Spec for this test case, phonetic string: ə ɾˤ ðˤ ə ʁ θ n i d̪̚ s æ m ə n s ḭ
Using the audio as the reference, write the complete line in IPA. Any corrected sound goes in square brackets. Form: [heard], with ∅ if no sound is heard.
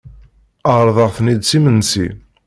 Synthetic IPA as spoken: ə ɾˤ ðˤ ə ʁ θ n i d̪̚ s [i] m ə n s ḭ